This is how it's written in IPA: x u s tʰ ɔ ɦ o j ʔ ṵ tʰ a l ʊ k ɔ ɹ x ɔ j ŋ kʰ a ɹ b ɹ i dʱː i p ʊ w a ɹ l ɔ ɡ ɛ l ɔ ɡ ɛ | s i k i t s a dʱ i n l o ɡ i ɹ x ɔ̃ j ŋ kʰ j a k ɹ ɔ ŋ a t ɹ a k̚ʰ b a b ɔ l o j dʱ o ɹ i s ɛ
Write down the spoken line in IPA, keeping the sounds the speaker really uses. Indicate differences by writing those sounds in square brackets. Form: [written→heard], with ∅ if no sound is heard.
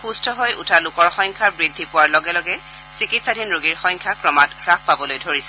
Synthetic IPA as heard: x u s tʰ ɔ ɦ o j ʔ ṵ tʰ a l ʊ k ɔ ɹ x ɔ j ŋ kʰ a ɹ b ɹ i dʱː i p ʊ w a ɹ l ɔ ɡ ɛ l ɔ ɡ ɛ | s i k i t s a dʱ i n [l→ɹ] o ɡ i ɹ x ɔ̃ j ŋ kʰ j a k ɹ ɔ [ŋ→m] a t ɹ a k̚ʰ [b→p] a b ɔ l o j dʱ o ɹ i s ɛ